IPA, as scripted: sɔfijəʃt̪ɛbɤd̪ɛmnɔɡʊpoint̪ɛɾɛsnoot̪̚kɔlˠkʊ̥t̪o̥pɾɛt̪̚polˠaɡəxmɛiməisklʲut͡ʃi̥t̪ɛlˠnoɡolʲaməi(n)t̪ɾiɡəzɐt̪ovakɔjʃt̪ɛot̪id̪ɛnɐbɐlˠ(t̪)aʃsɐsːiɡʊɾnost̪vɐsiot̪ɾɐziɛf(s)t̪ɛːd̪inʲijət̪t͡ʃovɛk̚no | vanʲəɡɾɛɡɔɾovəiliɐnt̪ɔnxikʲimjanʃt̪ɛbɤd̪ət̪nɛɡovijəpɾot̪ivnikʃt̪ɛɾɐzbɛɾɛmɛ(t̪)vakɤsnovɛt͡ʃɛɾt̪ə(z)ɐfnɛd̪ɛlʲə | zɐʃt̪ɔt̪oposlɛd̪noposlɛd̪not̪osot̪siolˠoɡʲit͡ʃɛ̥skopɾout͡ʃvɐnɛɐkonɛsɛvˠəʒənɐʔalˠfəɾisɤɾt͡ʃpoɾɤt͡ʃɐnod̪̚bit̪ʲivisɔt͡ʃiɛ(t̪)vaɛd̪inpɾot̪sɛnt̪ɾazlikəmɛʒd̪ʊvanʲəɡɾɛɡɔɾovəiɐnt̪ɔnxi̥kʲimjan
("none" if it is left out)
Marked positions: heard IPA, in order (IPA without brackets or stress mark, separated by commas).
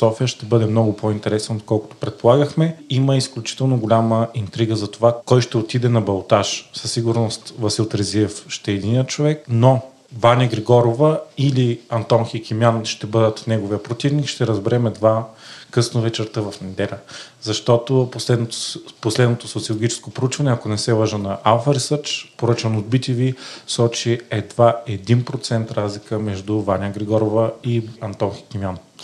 n, t̪, ʃ, d̪, v, d̪